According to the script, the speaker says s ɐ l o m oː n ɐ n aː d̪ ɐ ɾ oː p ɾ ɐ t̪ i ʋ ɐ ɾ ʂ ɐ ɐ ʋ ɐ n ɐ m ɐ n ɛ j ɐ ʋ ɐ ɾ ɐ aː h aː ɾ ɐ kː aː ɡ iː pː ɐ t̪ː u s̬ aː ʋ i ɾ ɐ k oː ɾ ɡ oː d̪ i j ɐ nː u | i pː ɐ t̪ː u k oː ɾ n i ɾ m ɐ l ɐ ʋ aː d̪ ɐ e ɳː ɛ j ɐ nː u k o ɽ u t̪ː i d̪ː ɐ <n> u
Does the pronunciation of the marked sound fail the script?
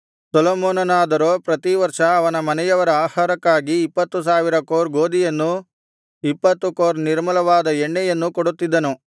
no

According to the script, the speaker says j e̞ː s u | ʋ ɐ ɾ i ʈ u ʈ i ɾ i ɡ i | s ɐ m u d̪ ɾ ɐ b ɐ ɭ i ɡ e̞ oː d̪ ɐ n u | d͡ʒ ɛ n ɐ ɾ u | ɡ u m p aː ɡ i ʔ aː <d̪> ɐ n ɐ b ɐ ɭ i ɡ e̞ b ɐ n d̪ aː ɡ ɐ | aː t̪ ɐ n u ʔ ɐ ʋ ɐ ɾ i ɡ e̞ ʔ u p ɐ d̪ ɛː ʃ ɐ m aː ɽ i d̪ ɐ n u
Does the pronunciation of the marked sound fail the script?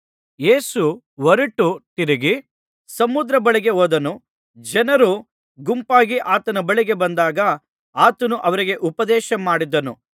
yes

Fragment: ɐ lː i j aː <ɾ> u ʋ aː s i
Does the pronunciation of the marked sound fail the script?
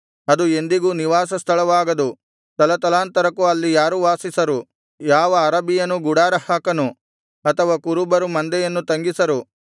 no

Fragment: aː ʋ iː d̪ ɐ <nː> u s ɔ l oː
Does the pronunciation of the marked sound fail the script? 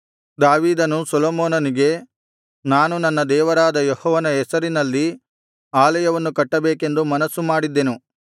yes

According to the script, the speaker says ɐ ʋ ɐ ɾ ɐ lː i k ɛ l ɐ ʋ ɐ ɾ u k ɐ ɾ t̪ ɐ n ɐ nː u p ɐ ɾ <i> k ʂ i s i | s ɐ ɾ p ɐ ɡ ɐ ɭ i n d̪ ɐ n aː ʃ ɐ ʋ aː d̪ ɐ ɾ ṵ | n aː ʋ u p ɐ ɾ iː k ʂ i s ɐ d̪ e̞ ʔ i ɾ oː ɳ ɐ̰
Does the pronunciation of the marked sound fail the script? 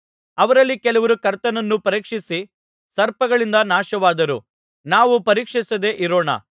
yes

